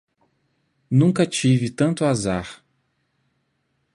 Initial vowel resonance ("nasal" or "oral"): nasal